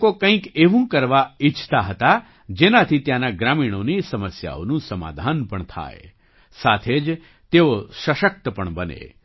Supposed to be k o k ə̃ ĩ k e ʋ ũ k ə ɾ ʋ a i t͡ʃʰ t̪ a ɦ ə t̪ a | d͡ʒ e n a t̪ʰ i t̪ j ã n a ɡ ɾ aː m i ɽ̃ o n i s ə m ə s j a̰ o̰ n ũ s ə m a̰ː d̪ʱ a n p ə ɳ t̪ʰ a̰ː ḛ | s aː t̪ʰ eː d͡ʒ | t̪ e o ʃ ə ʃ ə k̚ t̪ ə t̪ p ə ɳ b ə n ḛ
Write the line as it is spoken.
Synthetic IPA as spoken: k o k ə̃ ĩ k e ʋ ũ k ə ɾ ʋ a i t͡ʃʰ t̪ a ɦ ə t̪ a | d͡ʒ e n a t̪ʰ i t̪ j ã n a ɡ ɾ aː m i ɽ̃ o n i s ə m ə s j a̰ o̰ n ũ s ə m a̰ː d̪ʱ a n p ə ɳ t̪ʰ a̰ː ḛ | s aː t̪ʰ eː d͡ʒ | t̪ e o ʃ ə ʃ ə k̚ t̪ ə p ə ɳ b ə n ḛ